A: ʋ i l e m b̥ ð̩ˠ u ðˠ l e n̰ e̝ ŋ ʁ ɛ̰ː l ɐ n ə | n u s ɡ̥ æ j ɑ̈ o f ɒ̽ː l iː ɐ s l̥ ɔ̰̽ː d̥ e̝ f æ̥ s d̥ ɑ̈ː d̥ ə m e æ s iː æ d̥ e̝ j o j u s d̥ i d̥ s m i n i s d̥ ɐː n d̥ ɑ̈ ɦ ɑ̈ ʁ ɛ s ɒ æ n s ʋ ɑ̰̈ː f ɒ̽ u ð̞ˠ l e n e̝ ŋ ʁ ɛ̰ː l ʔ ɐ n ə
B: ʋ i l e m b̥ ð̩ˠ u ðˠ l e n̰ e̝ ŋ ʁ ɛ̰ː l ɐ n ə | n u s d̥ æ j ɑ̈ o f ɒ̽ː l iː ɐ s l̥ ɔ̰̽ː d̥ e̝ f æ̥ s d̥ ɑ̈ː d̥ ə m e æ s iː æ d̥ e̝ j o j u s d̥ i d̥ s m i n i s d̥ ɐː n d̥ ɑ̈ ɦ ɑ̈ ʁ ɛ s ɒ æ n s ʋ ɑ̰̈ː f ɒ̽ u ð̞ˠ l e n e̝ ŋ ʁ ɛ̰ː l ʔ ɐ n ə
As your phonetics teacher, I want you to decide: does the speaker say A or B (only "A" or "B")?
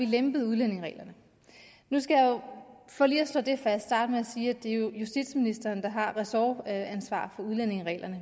A